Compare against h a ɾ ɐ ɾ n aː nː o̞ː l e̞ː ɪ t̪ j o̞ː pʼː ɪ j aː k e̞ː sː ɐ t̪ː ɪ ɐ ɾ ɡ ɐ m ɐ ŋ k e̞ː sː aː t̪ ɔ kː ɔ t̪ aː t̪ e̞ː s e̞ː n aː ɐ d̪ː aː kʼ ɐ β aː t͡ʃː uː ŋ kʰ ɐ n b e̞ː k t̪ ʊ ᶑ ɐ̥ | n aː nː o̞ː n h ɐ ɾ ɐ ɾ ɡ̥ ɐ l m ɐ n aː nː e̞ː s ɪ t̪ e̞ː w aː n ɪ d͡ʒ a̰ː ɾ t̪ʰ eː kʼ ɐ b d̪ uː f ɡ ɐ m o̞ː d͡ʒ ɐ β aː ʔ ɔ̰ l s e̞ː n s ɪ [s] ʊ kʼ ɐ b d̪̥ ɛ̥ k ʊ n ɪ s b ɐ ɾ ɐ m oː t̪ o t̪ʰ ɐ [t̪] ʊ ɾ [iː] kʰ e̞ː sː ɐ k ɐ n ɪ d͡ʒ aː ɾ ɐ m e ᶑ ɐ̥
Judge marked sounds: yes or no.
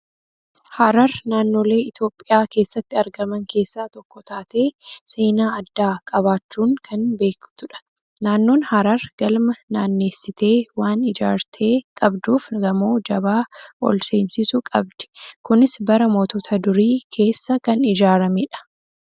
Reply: yes, no, yes

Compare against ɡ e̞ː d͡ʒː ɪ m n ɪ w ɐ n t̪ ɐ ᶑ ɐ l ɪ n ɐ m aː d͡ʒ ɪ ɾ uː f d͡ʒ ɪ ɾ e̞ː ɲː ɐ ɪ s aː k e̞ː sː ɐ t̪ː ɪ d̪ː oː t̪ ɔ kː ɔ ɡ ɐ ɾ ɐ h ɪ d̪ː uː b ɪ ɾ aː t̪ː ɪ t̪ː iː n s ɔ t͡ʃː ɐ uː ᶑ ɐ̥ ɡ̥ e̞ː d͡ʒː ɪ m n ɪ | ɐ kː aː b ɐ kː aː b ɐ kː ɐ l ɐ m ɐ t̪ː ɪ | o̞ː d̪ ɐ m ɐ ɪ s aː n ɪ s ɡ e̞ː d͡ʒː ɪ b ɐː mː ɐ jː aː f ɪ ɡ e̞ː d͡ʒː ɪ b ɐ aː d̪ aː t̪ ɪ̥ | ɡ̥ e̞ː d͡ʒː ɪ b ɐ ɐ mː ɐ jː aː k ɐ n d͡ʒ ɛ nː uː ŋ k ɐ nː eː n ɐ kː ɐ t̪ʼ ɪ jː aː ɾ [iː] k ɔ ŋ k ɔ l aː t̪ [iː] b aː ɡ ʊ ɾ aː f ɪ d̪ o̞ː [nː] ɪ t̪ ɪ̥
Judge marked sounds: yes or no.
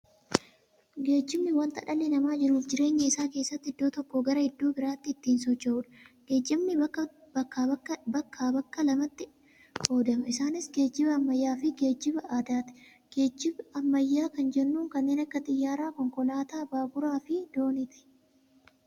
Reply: no, no, no

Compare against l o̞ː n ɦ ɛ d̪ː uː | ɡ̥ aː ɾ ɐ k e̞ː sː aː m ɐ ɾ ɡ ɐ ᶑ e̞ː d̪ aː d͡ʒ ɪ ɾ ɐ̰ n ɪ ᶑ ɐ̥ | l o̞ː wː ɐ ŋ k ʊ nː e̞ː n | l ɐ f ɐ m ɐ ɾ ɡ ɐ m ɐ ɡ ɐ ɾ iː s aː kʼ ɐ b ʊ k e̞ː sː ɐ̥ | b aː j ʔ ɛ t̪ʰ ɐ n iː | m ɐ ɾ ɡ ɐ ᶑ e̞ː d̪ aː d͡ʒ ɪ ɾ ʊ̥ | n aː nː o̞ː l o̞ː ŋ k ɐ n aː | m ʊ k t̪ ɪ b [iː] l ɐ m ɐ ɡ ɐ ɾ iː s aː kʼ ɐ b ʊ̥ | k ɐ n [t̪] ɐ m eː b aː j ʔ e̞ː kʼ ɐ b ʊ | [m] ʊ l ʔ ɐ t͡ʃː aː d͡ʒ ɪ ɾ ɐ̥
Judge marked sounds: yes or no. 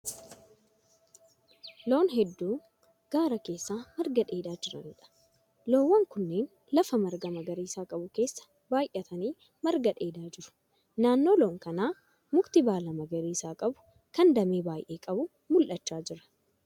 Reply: no, no, yes

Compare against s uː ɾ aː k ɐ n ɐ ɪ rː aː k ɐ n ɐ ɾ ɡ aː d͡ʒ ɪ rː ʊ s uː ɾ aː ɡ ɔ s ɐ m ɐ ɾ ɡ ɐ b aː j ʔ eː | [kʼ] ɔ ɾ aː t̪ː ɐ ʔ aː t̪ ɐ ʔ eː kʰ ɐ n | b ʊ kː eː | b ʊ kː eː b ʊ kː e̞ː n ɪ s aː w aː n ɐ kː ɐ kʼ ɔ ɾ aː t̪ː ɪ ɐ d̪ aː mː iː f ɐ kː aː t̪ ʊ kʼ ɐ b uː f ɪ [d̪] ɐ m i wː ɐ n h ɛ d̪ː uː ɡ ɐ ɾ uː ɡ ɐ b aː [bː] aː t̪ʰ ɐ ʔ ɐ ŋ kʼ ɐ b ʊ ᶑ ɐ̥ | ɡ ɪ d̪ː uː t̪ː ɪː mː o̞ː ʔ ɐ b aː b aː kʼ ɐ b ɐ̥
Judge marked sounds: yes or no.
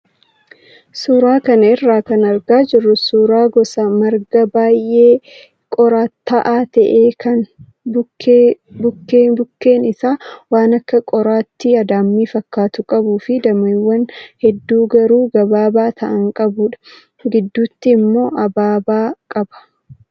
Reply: yes, yes, no

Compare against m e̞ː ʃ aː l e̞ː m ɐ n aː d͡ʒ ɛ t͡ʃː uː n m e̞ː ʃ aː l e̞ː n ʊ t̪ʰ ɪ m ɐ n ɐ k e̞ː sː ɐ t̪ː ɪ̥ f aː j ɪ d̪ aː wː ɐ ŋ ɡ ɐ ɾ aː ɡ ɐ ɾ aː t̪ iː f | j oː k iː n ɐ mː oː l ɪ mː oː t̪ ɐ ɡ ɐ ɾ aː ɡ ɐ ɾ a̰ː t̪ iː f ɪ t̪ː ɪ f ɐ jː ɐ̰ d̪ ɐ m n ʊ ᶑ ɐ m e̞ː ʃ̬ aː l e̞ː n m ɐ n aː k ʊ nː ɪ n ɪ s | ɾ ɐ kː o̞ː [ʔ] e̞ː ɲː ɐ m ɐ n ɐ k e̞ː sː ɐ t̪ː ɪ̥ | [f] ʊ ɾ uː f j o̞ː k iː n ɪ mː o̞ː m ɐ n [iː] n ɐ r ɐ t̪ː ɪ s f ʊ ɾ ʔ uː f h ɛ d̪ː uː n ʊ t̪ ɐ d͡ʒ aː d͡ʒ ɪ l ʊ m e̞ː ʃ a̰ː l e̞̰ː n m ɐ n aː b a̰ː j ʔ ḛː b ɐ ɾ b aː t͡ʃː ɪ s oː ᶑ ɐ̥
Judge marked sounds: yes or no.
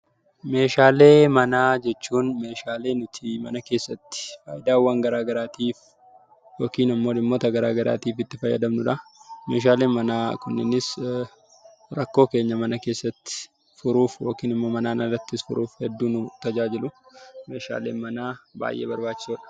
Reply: no, yes, no

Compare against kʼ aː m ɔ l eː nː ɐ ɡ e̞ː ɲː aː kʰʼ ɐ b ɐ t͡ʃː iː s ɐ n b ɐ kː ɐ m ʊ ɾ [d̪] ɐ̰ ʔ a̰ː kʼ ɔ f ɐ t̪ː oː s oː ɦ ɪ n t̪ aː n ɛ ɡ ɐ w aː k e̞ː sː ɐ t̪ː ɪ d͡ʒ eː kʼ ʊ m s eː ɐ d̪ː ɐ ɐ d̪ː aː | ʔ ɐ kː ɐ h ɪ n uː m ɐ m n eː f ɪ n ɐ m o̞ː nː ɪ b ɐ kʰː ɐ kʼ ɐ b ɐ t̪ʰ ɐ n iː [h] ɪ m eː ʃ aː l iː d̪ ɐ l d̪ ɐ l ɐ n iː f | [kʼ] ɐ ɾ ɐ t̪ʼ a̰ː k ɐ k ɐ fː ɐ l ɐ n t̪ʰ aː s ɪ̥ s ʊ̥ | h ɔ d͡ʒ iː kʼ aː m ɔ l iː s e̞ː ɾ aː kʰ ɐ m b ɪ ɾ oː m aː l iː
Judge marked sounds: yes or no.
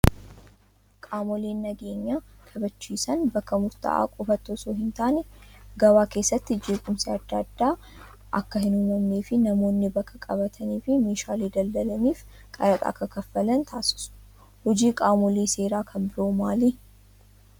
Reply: no, no, yes

